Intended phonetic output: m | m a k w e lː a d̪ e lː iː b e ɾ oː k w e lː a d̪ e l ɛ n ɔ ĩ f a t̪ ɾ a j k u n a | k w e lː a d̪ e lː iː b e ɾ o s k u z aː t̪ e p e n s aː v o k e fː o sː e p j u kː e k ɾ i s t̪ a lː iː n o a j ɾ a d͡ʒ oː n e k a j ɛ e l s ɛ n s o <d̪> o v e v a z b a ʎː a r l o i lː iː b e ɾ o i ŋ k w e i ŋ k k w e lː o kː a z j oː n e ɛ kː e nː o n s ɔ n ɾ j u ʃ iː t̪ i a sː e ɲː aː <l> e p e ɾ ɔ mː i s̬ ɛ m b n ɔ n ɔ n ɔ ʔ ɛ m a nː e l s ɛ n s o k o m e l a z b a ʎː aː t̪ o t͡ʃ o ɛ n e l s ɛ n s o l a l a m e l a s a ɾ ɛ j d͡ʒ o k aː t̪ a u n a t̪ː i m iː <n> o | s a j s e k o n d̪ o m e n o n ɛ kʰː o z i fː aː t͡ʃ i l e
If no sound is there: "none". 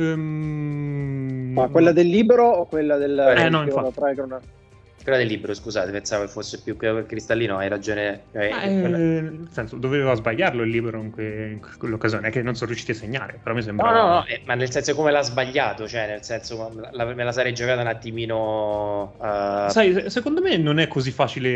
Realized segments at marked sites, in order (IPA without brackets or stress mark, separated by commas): d̪, ɾ, n